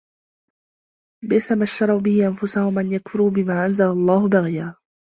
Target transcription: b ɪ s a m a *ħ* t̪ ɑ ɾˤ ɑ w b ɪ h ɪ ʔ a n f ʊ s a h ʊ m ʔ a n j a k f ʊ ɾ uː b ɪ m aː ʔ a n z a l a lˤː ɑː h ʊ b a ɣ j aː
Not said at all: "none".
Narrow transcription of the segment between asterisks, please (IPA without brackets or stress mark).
ʃ